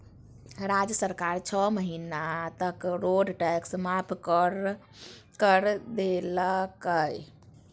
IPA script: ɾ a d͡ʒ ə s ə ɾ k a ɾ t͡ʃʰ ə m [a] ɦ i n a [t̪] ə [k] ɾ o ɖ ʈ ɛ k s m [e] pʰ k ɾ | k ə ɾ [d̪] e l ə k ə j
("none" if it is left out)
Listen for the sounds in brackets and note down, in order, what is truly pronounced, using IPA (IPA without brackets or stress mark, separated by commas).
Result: ə, t̪, k, a, d̪